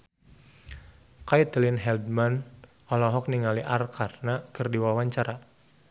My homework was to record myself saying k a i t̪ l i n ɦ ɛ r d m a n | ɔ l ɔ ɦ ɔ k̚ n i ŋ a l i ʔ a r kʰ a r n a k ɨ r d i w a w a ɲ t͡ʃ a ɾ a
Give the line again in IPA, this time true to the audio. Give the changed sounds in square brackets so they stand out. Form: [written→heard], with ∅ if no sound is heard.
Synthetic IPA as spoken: k a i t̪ l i n ɦ ɛ [r→l] d m a n | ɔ l ɔ ɦ ɔ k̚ n i ŋ a l i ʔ a r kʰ a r n a k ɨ r d i w a w a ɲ t͡ʃ a ɾ a